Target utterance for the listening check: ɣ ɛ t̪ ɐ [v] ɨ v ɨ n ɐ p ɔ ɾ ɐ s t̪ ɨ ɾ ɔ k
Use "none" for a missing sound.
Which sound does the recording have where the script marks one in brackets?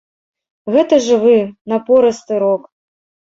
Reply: ʐ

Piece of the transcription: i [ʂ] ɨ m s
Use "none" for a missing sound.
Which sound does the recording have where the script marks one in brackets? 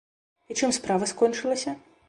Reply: t͡ʂ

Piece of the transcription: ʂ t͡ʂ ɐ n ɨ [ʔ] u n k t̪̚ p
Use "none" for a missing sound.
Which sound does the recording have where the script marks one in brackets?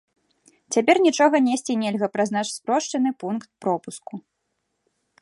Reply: p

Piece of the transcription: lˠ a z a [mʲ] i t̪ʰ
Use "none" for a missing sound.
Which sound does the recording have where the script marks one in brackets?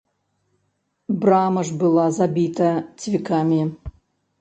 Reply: bʲ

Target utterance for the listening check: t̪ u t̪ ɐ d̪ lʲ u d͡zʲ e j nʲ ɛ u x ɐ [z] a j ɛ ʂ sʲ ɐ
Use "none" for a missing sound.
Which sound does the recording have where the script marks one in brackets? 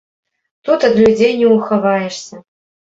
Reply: v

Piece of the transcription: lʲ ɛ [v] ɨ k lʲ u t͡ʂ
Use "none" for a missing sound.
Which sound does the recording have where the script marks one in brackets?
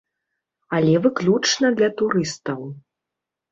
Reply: v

